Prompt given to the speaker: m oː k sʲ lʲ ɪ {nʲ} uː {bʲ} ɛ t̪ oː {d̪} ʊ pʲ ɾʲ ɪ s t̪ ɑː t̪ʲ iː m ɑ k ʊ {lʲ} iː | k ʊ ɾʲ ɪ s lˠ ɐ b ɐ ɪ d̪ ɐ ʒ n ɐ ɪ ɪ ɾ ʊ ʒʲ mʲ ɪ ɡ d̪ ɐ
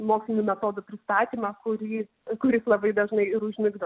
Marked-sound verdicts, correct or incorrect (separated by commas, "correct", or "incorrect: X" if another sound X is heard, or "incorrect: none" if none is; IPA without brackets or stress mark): correct, incorrect: mʲ, correct, incorrect: ɾʲ